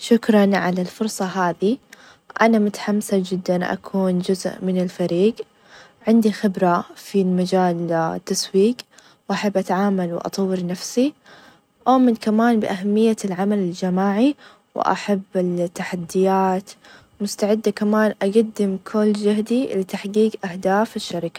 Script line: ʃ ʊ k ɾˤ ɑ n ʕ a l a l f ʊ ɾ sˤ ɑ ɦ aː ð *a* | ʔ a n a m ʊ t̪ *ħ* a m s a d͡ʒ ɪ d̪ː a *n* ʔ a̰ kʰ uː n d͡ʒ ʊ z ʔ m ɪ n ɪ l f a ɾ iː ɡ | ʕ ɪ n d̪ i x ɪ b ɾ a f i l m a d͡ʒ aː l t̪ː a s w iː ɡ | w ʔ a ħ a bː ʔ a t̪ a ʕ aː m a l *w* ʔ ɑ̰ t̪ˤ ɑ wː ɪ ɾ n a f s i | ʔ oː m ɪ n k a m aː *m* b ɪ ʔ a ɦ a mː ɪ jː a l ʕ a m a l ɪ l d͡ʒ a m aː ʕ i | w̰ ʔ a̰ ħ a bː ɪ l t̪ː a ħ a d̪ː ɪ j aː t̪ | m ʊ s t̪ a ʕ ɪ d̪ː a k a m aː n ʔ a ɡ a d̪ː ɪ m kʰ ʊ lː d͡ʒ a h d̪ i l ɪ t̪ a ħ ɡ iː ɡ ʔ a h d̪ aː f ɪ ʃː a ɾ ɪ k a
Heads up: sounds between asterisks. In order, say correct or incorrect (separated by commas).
incorrect, correct, correct, correct, incorrect